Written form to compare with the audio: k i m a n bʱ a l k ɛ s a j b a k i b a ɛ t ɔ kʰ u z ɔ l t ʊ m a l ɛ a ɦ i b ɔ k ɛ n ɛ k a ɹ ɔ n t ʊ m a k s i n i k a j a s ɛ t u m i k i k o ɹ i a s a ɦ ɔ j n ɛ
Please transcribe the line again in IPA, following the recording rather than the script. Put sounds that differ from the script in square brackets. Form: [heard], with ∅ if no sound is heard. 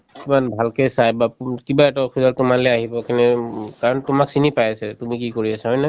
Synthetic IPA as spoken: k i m a n bʱ a l k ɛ s a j b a k i b a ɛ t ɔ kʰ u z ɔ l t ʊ m a l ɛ a ɦ i b ɔ k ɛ n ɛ k a ɹ ɔ n t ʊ m a k s i n i [p] a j a s ɛ t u m i k i k o ɹ i a s a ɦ ɔ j n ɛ

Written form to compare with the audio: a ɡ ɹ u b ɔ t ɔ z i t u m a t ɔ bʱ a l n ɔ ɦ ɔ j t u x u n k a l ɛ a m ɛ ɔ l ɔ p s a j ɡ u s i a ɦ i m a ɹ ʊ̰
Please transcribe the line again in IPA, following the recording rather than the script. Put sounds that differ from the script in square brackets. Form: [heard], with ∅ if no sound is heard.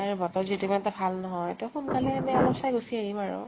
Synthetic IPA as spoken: a [∅] ɹ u b ɔ t ɔ z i t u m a t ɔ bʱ a l n ɔ ɦ ɔ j t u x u n k a l ɛ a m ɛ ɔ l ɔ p s a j ɡ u s i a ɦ i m a ɹ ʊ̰

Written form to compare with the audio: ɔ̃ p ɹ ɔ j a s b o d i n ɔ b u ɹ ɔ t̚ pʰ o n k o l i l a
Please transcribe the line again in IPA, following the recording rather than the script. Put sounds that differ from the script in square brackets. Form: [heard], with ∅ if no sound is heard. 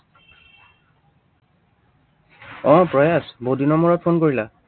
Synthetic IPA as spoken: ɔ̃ p ɹ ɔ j a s b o d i n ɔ [m] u ɹ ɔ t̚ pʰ o n k o [ɹ] i l a

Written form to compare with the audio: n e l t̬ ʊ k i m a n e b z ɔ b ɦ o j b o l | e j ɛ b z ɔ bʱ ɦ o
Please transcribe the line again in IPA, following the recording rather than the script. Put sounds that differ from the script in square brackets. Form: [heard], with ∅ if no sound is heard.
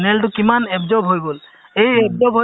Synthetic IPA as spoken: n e l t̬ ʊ k i m a n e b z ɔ b ɦ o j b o l | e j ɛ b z ɔ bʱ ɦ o

